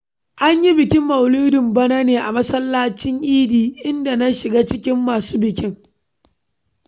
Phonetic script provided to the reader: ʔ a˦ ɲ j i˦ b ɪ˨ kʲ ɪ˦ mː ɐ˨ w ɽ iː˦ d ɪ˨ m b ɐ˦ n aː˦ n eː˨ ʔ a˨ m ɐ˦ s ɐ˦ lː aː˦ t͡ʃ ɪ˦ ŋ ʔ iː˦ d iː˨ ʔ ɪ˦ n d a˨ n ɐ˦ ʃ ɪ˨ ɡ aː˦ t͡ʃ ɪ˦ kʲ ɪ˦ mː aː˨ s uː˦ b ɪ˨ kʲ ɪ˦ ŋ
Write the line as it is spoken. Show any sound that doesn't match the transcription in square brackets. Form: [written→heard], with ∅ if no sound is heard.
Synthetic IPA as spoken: ʔ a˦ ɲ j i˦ b ɪ˨ kʲ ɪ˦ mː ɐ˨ w [ɽ→l] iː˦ d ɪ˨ m b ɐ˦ n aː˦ n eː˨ ʔ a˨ m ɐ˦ s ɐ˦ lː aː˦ t͡ʃ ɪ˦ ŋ ʔ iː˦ d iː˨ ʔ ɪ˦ n d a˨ n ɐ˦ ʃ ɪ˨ ɡ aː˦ t͡ʃ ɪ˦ kʲ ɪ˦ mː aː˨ s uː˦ b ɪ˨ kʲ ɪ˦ ŋ